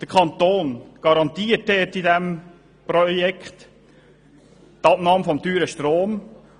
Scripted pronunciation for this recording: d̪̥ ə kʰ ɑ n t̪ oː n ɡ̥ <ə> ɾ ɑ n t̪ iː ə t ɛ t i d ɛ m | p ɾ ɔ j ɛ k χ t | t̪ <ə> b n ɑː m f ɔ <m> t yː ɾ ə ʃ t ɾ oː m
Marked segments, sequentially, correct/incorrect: incorrect, incorrect, correct

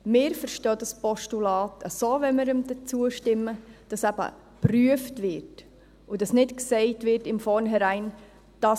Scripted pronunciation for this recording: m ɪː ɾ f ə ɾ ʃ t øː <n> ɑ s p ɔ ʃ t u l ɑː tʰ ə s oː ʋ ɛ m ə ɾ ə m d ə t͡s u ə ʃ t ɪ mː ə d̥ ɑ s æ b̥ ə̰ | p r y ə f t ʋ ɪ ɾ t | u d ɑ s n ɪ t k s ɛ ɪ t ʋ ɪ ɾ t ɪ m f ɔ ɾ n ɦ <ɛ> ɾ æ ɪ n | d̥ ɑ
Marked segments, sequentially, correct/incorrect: incorrect, correct

